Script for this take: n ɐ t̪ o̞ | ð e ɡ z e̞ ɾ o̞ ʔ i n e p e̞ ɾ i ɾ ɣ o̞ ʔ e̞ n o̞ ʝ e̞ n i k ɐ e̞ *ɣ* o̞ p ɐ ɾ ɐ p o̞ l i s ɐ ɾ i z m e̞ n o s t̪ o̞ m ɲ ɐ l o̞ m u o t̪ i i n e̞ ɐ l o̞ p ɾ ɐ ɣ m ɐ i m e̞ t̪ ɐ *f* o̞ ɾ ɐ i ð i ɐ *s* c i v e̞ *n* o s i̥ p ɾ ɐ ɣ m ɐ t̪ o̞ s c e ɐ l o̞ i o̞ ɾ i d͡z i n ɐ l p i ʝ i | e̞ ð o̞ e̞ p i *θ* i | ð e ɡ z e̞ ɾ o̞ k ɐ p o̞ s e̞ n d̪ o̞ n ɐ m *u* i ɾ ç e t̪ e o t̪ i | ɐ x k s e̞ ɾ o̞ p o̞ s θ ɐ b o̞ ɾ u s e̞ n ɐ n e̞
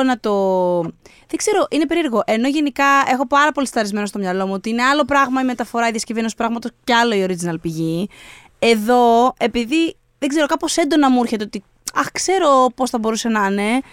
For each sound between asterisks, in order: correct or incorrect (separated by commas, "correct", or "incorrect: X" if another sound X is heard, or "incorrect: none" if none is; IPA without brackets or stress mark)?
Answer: incorrect: x, correct, correct, correct, incorrect: ð, correct